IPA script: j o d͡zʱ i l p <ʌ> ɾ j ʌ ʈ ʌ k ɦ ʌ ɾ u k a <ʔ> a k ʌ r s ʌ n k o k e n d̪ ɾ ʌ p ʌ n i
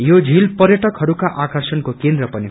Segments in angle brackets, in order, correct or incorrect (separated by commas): correct, correct